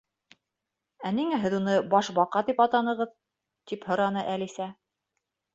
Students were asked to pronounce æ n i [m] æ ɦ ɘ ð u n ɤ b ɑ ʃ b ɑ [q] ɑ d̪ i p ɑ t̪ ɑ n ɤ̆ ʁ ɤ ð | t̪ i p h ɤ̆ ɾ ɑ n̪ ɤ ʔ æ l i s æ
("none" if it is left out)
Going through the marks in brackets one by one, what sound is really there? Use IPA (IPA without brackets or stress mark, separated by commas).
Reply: ŋ, q